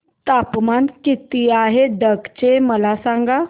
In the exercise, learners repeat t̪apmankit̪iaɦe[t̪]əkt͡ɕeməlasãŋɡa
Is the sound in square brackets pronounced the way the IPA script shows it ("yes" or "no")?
no